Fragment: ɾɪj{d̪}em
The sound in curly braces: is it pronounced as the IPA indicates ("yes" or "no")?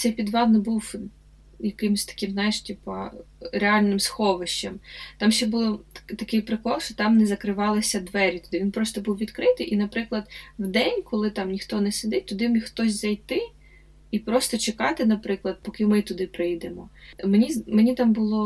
yes